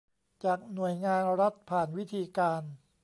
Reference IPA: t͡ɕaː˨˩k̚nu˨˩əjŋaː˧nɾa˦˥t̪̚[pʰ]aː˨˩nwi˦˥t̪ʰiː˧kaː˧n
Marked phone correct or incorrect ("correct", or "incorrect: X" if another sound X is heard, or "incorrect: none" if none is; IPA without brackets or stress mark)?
correct